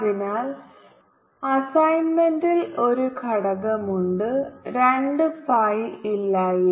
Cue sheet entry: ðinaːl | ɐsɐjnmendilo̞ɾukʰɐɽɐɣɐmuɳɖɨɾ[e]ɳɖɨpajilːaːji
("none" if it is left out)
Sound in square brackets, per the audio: e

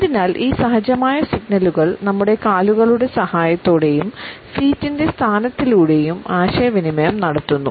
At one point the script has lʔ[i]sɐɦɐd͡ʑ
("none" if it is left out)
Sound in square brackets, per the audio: iː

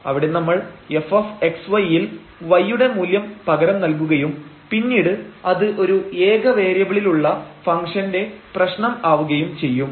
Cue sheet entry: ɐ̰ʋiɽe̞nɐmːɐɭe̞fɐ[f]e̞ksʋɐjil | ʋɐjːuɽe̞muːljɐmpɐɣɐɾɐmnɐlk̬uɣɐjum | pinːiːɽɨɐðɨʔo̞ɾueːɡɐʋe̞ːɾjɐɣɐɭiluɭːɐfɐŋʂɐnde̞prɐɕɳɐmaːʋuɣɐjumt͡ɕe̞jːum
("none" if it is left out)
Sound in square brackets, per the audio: f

